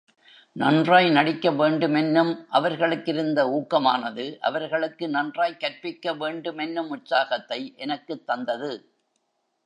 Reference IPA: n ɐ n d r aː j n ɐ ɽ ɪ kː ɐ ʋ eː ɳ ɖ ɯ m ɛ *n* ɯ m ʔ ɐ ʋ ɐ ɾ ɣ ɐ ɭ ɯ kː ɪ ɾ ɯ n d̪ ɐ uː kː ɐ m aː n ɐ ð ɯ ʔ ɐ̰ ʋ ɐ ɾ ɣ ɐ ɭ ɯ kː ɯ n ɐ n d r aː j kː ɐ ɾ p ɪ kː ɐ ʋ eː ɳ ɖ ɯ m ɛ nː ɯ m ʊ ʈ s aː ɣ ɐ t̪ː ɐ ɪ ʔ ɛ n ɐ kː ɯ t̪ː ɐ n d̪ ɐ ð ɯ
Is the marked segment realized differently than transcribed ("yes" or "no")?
yes